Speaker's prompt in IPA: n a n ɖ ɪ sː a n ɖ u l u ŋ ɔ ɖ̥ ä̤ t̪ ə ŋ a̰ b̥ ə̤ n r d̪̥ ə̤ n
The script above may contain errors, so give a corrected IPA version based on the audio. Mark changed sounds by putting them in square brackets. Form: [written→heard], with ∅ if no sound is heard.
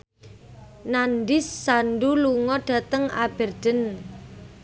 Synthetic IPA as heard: n a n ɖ ɪ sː a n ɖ u l u ŋ ɔ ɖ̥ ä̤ t̪ ə ŋ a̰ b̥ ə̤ [n→∅] r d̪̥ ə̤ n